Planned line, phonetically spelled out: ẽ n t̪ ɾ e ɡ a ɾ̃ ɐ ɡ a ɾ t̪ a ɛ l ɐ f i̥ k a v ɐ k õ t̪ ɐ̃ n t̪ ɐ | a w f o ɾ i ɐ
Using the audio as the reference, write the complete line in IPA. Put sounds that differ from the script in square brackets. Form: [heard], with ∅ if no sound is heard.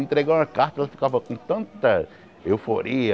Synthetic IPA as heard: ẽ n t̪ ɾ e ɡ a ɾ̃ ɐ [k] a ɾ t̪ [ɐ] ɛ l ɐ f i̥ k a v ɐ k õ t̪ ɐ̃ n t̪ ɐ | [e] w f o ɾ i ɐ